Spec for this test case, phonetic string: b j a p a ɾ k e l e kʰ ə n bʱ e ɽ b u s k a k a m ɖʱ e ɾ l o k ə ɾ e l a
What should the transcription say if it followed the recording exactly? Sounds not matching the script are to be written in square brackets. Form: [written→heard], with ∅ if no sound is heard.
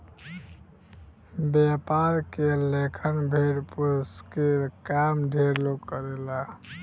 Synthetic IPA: b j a p a ɾ k e l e kʰ ə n bʱ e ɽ [b→p] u s k [a→e] k a m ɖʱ e ɾ l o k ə ɾ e l a